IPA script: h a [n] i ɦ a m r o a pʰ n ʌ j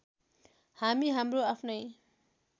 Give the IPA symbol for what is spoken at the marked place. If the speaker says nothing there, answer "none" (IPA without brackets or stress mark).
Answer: m